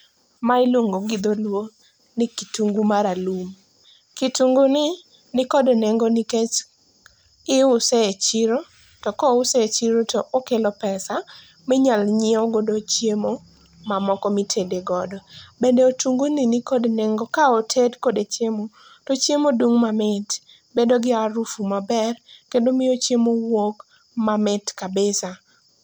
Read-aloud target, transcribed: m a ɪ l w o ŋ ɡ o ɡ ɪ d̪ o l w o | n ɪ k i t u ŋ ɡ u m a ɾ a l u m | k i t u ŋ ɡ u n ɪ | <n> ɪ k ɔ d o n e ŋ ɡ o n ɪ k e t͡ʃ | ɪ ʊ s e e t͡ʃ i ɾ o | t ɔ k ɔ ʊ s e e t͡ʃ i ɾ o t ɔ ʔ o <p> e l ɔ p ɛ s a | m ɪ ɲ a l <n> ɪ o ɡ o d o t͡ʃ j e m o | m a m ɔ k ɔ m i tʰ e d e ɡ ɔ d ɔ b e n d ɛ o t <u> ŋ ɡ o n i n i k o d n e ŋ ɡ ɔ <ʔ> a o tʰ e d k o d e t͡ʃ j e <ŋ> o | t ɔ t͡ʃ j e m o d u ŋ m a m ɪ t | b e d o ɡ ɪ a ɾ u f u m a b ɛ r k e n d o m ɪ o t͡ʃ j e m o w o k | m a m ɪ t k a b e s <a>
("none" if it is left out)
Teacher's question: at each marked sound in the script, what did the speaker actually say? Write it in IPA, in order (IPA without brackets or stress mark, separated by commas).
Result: n, k, ɲ, u, k, m, a